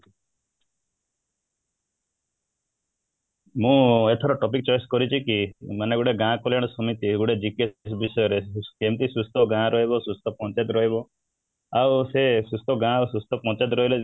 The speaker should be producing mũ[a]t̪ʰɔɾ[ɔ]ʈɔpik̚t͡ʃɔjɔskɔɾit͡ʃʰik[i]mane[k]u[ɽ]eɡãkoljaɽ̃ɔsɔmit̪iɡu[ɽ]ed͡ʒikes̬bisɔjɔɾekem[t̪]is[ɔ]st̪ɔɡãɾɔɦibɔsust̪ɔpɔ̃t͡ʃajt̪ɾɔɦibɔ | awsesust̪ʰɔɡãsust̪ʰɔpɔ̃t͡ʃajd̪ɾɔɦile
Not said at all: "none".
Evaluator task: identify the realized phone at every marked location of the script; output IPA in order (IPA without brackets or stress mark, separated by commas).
e, ɔ, i, ɡ, ɽ, ɽ, t̪, u